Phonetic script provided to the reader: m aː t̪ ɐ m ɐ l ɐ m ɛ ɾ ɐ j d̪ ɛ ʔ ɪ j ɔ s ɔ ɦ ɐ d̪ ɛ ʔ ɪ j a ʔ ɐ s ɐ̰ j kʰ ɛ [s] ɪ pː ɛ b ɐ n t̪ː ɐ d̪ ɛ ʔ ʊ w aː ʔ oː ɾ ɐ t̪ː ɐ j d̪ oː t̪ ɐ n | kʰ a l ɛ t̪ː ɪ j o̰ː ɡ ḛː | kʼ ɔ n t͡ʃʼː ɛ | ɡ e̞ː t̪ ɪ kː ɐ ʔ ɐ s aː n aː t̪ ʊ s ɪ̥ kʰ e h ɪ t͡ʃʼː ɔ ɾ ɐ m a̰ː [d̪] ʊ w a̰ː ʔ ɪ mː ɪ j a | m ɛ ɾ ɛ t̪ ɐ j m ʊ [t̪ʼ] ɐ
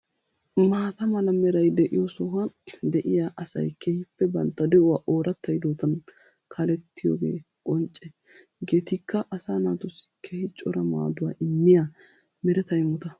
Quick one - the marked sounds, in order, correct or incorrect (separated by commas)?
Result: incorrect, correct, incorrect